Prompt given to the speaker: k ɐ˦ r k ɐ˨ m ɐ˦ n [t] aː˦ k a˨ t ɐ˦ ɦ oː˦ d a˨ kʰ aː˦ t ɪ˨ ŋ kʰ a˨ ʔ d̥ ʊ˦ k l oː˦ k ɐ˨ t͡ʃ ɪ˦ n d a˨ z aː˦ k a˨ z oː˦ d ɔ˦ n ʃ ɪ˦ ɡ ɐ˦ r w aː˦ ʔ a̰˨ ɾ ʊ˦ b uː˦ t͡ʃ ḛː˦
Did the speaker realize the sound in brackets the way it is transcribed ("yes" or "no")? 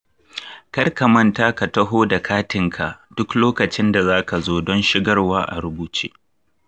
yes